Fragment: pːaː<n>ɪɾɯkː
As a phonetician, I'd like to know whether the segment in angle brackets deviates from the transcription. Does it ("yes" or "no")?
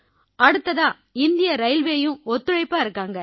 yes